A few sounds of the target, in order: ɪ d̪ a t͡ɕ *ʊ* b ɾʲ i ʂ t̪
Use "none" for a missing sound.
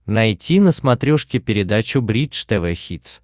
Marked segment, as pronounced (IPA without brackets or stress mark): ʊ